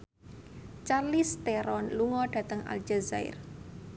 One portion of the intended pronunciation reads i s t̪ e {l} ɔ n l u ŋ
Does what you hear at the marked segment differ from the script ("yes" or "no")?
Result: yes